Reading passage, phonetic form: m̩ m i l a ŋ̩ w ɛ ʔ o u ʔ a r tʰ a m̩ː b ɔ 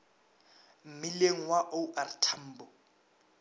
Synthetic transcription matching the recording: m̩ m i l e ŋ̩ w a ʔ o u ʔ a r tʰ a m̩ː b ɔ